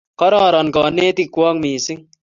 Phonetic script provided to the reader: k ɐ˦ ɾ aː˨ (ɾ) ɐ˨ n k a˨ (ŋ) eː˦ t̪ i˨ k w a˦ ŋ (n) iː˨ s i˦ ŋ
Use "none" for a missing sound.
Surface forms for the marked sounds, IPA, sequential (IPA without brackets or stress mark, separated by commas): ɾ, n, m